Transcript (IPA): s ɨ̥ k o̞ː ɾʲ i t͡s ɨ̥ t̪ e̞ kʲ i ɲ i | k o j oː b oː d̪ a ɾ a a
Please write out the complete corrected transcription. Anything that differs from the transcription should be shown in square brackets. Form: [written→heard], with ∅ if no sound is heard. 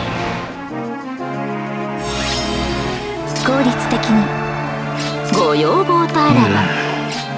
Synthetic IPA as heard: s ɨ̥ k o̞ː ɾʲ i t͡s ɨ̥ t̪ e̞ kʲ i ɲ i | [k→ɡ] o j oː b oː [d̪→t̪] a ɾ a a